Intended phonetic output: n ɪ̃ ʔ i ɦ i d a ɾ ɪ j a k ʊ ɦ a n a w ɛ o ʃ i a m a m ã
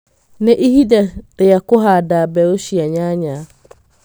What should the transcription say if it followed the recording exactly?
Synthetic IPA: n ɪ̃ ʔ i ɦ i d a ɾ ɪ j a k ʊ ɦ a d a b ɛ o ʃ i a ɲ a ɲ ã